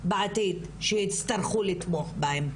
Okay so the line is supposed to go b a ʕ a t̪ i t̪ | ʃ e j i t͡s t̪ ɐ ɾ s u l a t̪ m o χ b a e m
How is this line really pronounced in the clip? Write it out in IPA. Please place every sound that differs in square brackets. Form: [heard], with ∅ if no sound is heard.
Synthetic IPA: b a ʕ a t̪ i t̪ | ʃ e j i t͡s t̪ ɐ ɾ [χ] u l [i] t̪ m o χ b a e m